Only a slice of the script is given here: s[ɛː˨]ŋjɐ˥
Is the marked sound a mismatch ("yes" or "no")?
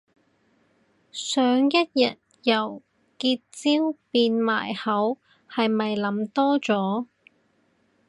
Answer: yes